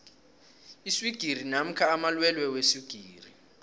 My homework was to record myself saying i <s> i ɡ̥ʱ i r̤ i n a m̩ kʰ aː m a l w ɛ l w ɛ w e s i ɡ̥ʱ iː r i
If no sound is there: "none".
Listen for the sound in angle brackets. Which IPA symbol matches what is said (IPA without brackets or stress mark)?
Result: s